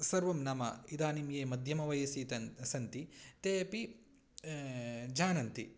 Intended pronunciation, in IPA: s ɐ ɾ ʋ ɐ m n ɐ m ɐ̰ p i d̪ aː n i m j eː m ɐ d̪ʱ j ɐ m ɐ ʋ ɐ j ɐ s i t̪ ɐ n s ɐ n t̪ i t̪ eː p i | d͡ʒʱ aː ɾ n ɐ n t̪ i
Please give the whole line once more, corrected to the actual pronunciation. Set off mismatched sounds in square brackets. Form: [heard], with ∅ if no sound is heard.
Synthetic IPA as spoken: s ɐ ɾ ʋ ɐ m n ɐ m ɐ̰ [∅] i d̪ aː n i m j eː m ɐ d̪ʱ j ɐ m ɐ ʋ ɐ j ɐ s i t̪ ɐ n s ɐ n t̪ i t̪ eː p i | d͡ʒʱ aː [∅] n ɐ n t̪ i